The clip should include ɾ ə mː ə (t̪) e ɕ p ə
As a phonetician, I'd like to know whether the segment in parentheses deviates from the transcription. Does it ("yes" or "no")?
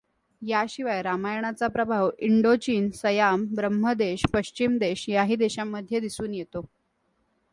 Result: yes